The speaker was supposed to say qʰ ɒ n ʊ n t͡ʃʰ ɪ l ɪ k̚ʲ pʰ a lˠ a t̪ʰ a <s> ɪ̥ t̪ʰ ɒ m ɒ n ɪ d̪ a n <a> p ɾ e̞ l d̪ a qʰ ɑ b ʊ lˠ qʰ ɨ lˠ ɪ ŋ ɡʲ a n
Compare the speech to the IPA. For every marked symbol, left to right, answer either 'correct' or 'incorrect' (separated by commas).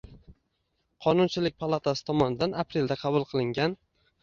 correct, correct